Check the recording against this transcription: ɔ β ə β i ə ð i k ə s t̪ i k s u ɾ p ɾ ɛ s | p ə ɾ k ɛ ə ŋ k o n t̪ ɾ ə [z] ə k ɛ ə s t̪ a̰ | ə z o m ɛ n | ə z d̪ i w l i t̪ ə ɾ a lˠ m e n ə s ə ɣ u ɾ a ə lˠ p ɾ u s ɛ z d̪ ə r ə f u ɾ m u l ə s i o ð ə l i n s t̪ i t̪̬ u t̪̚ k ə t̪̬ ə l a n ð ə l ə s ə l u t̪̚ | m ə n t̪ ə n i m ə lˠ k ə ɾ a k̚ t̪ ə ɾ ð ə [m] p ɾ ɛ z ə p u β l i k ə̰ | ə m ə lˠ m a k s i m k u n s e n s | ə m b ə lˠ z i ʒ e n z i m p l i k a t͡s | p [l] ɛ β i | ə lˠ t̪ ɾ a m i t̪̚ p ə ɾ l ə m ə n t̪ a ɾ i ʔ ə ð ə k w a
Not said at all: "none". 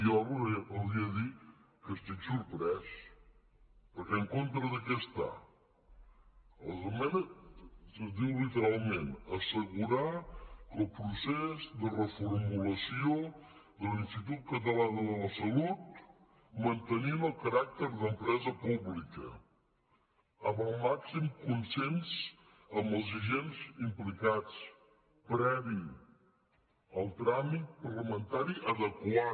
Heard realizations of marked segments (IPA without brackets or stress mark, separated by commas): ð, m, ɾ